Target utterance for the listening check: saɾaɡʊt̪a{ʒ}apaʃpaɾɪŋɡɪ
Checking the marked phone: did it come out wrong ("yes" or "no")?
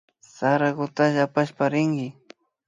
no